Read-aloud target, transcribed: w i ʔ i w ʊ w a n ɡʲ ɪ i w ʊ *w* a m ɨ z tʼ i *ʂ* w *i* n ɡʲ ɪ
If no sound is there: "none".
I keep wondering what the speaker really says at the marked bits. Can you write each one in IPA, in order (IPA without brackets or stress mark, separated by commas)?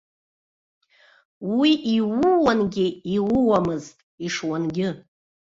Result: w, ʂ, a